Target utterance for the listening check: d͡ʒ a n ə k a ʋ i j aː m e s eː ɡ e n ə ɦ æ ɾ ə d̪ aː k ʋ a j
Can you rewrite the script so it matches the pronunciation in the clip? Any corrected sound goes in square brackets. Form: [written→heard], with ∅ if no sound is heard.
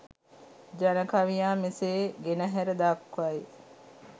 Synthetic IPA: d͡ʒ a n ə k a ʋ i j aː m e s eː ɡ e n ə ɦ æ ɾ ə d̪ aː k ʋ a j